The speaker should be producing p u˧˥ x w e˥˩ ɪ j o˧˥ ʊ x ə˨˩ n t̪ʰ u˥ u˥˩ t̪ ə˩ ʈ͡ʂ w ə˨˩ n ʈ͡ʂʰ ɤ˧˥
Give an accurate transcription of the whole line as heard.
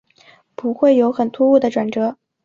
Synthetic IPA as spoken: p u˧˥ x w e˥˩ ɪ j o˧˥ ʊ x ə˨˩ n t̪ʰ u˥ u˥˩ d̪ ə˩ ʈ͡ʂ w a˨˩ n ʈ͡ʂ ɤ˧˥